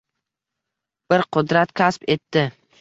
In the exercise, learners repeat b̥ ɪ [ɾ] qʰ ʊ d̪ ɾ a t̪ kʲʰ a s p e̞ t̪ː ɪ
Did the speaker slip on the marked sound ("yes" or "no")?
no